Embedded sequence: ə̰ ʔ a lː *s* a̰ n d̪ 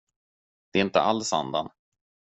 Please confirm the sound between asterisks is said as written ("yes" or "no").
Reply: yes